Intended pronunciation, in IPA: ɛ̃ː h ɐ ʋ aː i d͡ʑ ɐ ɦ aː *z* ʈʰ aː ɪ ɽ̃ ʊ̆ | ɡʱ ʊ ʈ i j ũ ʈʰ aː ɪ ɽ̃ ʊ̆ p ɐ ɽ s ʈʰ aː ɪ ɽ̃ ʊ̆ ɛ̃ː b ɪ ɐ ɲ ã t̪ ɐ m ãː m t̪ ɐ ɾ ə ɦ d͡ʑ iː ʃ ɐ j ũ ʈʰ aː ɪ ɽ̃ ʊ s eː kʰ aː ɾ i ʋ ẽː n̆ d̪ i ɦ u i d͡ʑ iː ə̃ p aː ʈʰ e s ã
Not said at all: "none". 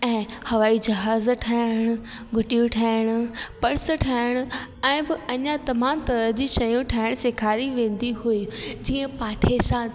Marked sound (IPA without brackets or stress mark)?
z